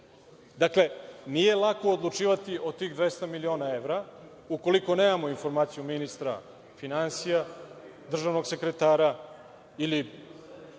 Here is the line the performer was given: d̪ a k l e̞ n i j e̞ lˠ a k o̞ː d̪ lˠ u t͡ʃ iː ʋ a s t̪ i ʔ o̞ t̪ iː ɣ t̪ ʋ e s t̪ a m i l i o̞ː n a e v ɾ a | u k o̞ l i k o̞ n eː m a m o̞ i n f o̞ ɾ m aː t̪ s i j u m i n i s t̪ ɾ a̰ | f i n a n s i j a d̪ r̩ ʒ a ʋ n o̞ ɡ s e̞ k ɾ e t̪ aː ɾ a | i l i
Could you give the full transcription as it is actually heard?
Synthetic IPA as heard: d̪ a k l e̞ n i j e̞ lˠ a k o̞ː d̪ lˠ u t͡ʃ iː ʋ a t̪ i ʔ o̞ t̪ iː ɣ d̪ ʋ e s t̪ a m i l i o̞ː n a e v ɾ a | u k o̞ l i k o̞ n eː m a m o̞ i n f o̞ ɾ m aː t̪ s i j u m i n i s t̪ ɾ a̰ | f i n a n s i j a d̪ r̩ ʒ a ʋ n o̞ ɡ s e̞ k ɾ e t̪ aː ɾ a | i l i